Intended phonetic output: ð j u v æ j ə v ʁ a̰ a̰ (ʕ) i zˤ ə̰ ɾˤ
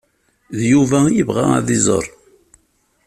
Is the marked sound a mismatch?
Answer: yes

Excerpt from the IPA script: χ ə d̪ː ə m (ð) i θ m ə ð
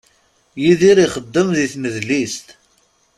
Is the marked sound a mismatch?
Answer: no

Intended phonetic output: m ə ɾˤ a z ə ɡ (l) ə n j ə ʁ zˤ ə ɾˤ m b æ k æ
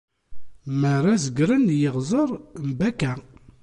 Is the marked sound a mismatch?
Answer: yes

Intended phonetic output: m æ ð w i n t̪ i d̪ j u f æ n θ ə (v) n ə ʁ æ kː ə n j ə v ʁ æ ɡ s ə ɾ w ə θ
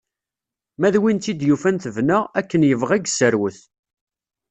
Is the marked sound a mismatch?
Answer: no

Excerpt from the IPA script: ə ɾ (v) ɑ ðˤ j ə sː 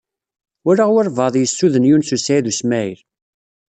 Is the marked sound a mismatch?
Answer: no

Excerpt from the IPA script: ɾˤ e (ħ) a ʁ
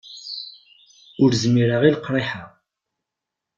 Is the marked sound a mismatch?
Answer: no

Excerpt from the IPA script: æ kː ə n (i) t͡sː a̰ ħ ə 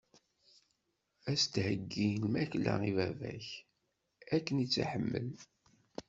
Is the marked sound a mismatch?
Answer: no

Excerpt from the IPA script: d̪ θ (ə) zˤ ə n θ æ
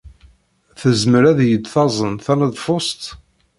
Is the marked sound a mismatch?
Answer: yes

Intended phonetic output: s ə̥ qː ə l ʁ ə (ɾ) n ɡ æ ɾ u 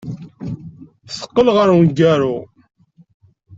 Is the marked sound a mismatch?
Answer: no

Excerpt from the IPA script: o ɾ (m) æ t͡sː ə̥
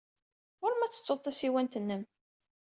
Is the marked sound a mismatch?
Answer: no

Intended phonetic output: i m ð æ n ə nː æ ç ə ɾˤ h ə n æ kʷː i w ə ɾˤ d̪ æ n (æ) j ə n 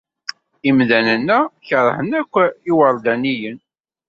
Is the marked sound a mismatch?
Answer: yes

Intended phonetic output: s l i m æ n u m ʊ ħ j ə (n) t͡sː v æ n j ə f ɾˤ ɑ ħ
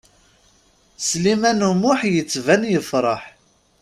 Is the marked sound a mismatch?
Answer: yes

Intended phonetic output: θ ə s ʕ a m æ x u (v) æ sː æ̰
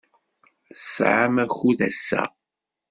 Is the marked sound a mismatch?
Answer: yes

